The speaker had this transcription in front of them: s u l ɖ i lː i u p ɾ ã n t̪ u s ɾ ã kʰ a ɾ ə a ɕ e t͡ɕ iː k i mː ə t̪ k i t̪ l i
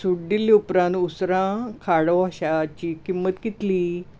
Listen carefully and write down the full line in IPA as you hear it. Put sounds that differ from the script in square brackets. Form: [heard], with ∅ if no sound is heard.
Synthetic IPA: s u [ɽ] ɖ i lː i u p ɾ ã n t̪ u s ɾ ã kʰ a [ɽ] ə a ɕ [a] t͡ɕ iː k i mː ə t̪ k i t̪ l i